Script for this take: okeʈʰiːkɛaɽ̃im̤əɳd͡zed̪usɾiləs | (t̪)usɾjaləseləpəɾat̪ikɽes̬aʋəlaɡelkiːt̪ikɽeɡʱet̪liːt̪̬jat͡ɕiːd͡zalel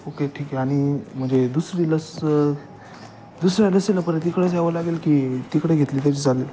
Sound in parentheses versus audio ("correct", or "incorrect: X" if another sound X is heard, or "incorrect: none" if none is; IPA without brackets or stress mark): incorrect: d̪